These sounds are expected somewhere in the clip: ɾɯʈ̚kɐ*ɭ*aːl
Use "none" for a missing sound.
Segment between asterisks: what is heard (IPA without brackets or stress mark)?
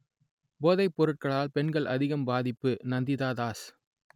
ɭ